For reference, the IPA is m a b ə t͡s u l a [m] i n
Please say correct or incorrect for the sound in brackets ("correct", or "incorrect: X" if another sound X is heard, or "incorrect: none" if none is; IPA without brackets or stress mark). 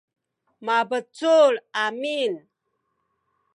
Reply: correct